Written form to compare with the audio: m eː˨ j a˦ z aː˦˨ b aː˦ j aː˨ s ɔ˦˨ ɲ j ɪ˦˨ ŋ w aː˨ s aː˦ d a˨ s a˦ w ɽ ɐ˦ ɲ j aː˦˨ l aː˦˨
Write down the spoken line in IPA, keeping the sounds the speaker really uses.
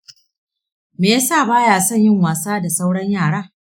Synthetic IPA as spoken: m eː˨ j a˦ s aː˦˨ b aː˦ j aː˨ s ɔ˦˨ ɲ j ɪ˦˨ ŋ w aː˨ s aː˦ d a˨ s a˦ w ɽ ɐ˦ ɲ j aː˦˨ ɽ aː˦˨